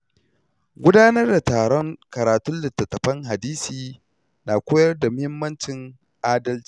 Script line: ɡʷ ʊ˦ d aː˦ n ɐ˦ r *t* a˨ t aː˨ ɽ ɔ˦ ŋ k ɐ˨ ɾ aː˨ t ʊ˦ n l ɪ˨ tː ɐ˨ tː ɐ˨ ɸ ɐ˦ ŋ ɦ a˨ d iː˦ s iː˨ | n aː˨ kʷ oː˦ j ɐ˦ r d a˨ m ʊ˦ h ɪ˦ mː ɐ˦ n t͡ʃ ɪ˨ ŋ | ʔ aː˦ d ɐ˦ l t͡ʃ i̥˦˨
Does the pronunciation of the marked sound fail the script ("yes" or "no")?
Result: yes